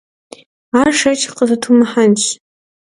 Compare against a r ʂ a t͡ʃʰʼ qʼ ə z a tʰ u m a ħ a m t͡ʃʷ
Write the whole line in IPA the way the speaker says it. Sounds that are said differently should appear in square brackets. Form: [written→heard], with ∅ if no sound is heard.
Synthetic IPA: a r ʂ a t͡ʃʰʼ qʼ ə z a tʰ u m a ħ a [m→n] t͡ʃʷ